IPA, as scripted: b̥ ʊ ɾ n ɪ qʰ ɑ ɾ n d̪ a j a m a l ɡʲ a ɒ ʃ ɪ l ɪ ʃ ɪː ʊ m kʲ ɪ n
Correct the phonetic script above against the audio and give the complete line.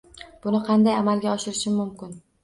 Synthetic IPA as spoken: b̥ ʊ n ɪ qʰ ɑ n d̪ a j a m a l ɡʲ a ɒ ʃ ɪ ɾ ɪ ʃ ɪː ʊ m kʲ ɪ n